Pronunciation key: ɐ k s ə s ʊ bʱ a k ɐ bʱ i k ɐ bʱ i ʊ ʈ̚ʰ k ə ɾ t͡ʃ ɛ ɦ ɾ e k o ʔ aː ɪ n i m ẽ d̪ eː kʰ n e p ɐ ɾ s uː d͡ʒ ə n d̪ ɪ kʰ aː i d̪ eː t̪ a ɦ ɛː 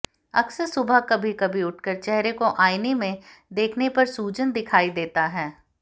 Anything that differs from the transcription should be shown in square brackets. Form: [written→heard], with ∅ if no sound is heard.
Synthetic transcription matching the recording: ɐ k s ə s ʊ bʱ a k ɐ bʱ i k ɐ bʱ i ʊ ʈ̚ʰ k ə ɾ t͡ʃ ɛ ɦ ɾ e k o ʔ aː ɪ n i m ẽ d̪ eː kʰ n e p ɐ ɾ s uː d͡ʒ ə n d̪ ɪ kʰ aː i d̪ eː t̪ a ɦ ɛː